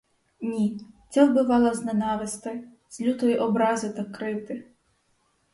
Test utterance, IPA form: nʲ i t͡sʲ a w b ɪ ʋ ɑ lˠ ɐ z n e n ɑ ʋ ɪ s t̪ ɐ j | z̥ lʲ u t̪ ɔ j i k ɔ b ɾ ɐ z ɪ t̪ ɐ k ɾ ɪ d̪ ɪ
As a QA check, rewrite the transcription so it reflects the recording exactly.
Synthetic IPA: nʲ i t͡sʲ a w b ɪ ʋ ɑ lˠ ɐ z n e n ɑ ʋ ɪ s t̪ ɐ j | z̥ lʲ u t̪ ɔ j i ʔ ɔ b ɾ ɑ z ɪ t̪ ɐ k ɾ ɪ t̪ ɪ